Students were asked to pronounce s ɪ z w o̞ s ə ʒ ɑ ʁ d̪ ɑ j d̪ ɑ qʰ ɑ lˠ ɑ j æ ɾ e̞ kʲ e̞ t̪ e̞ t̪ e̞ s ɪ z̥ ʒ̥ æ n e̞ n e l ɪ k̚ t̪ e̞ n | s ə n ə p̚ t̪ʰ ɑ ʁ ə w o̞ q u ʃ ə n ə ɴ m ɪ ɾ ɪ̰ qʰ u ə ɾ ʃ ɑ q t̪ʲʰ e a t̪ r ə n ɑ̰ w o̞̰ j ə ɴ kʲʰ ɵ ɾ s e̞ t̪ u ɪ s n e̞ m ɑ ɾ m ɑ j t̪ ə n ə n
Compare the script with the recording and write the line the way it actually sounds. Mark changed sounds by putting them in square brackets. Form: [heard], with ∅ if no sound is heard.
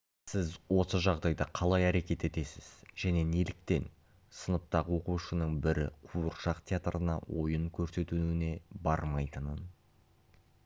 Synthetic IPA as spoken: s ɪ z w o̞ s ə ʒ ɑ ʁ d̪ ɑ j d̪ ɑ qʰ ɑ lˠ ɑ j æ ɾ e̞ kʲ e̞ t̪ e̞ t̪ e̞ s ɪ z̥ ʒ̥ æ n e̞ n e l ɪ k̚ t̪ e̞ n | s ə n ə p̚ [t̪] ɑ ʁ ə w o̞ q u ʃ ə n ə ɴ [b] ɪ ɾ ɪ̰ qʰ u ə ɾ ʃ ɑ q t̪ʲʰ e a t̪ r ə n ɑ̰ w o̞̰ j ə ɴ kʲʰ ɵ ɾ s e̞ t̪ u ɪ [∅] n e̞ [b] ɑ ɾ m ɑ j t̪ ə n ə n

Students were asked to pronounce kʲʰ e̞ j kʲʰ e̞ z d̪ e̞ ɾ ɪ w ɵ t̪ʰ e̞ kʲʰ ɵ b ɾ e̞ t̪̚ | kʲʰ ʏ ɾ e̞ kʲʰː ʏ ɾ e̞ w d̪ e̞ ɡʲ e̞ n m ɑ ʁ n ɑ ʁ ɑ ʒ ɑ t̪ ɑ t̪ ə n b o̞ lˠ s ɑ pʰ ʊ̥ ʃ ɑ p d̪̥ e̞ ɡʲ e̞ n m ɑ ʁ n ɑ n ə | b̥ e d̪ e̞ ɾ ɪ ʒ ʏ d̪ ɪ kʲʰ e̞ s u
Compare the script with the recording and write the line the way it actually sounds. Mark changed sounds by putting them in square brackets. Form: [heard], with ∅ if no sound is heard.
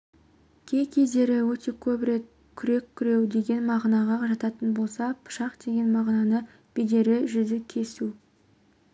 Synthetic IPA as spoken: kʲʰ e̞ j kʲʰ e̞ z d̪ e̞ ɾ ɪ w ɵ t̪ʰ e̞ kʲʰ ɵ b ɾ e̞ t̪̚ | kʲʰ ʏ ɾ e̞ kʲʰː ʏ ɾ e̞ w d̪ e̞ ɡʲ e̞ n m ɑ ʁ n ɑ ʁ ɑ ʒ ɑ t̪ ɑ t̪ ə n b o̞ lˠ s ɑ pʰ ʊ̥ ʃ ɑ [q] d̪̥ e̞ ɡʲ e̞ n m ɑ ʁ n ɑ n ə | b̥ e d̪ e̞ ɾ ɪ ʒ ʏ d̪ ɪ kʲʰ e̞ s u

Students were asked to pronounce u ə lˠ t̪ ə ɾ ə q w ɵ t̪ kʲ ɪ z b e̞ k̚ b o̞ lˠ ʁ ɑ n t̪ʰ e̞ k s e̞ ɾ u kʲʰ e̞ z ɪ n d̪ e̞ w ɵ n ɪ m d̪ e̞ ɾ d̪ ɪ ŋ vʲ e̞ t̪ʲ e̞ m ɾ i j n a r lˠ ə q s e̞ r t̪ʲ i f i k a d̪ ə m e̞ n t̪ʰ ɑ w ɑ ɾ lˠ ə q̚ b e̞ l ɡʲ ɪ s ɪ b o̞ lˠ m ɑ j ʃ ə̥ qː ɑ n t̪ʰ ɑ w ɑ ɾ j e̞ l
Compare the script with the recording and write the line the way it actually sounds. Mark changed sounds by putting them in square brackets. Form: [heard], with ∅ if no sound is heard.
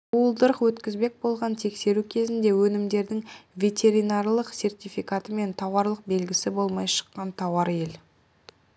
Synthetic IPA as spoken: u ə lˠ [d̪] ə ɾ ə q w ɵ t̪ kʲ ɪ z b e̞ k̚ b o̞ lˠ ʁ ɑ n t̪ʰ e̞ k s e̞ ɾ u kʲʰ e̞ z ɪ n d̪ e̞ w ɵ n ɪ m d̪ e̞ ɾ d̪ ɪ ŋ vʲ e̞ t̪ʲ e̞ [∅] ɾ i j n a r lˠ ə q s e̞ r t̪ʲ i f i k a [t̪] ə m e̞ n t̪ʰ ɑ w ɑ ɾ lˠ ə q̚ b e̞ l ɡʲ ɪ s ɪ b o̞ lˠ m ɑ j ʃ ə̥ qː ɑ n t̪ʰ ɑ w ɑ ɾ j e̞ l

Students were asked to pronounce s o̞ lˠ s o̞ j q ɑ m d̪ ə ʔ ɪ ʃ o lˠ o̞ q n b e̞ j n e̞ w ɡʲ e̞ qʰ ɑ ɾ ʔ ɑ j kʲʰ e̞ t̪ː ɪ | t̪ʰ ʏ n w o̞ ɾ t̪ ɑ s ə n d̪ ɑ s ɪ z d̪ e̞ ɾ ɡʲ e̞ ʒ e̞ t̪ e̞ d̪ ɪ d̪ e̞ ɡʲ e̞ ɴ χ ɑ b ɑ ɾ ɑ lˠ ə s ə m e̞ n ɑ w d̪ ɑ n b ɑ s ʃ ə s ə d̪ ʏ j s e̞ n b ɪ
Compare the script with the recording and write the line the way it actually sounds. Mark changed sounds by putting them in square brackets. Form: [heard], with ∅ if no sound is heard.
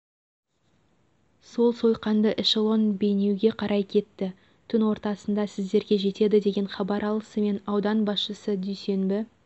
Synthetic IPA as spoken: s o̞ lˠ s o̞ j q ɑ [n] d̪ ə ʔ ɪ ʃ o lˠ o̞ [∅] n b e̞ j n e̞ w ɡʲ e̞ qʰ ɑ ɾ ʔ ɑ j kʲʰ e̞ t̪ː ɪ | t̪ʰ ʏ n w o̞ ɾ t̪ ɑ s ə n d̪ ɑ s ɪ z d̪ e̞ ɾ ɡʲ e̞ ʒ e̞ t̪ e̞ d̪ ɪ d̪ e̞ ɡʲ e̞ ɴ χ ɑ b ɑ ɾ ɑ lˠ ə s ə m e̞ n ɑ w d̪ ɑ n b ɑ s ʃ ə s ə d̪ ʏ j s e̞ n b ɪ

